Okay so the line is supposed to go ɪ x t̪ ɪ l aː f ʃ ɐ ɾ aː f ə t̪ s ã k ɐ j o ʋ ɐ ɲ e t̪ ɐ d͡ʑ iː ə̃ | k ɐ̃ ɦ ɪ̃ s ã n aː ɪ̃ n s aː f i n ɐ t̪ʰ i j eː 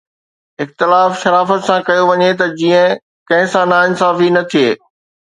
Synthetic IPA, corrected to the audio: ɪ x t̪ ɪ l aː f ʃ ɐ ɾ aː f ə t̪ s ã k ɐ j o ʋ ɐ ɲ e t̪ ɐ d͡ʑ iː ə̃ | k ɐ̃ ɦ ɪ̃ s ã n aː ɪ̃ n s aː f i n ɐ t̪ʰ i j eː